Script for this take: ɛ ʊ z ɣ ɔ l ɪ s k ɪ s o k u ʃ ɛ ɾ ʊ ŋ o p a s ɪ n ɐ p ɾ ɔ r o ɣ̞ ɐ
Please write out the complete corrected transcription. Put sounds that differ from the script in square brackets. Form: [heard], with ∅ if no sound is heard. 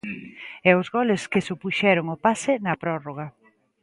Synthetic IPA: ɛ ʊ z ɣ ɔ l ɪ s k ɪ s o [p] u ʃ ɛ ɾ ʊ ŋ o p a s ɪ n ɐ p ɾ ɔ r o ɣ̞ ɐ